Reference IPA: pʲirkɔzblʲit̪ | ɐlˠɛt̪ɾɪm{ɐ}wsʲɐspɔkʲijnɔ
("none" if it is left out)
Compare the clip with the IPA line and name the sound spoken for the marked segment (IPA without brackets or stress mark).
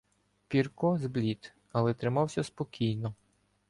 ɑ